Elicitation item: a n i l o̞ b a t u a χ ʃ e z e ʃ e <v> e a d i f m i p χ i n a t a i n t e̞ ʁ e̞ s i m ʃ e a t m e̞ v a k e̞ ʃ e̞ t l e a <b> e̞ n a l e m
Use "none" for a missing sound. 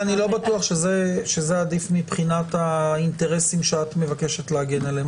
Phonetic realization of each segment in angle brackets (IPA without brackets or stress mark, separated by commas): z, ɡ